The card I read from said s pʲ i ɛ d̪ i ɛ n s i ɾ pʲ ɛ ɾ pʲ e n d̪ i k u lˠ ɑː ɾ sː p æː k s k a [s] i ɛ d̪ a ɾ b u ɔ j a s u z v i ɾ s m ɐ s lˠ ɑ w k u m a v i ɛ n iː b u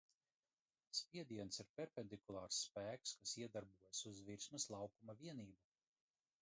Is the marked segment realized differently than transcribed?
no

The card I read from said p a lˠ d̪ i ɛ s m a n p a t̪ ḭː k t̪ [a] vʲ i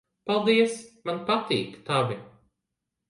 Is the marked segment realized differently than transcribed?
no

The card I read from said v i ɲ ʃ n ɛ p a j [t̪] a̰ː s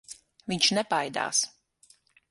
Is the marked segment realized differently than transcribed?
yes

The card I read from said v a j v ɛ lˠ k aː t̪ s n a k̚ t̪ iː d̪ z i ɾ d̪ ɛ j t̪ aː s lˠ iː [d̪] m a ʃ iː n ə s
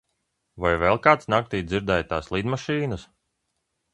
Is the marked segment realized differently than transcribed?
no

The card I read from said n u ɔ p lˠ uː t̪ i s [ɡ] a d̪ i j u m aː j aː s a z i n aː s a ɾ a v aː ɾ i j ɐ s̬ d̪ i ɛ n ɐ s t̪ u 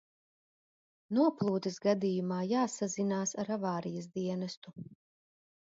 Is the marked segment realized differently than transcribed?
no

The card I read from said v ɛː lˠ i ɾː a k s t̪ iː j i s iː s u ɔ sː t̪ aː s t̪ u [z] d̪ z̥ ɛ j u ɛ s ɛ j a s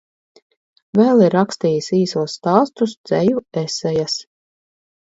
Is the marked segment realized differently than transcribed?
yes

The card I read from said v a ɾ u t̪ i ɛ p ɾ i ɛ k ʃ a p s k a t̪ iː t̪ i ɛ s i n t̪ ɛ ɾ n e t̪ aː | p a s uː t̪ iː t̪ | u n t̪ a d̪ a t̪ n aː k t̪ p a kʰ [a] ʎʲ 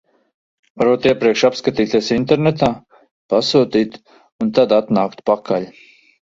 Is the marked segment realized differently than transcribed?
no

